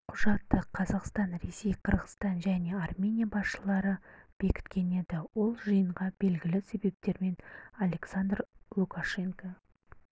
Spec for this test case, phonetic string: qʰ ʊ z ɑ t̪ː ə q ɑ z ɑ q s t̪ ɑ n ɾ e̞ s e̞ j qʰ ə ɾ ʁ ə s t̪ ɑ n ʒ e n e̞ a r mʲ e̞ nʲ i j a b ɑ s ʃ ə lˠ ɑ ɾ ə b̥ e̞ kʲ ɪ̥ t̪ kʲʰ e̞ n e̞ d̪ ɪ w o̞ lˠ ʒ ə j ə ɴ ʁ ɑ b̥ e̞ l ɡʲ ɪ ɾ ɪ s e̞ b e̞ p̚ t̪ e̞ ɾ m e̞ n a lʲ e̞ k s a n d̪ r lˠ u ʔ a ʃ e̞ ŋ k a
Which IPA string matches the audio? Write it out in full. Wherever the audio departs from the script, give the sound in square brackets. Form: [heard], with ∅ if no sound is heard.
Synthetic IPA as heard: qʰ ʊ [ʒ] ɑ t̪ː ə [qʰ] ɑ z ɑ q s t̪ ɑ n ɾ e̞ s e̞ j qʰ ə ɾ ʁ ə s t̪ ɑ n ʒ [æ] n e̞ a r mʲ e̞ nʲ i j a b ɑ s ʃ ə lˠ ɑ ɾ ə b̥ e̞ kʲ ɪ̥ t̪ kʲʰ e̞ n e̞ d̪ ɪ w o̞ lˠ ʒ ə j ə ɴ ʁ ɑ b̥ e̞ l ɡʲ ɪ [l] ɪ s e̞ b e̞ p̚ t̪ e̞ ɾ m e̞ n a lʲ e̞ k s a n d̪ r lˠ u [k] a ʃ e̞ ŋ k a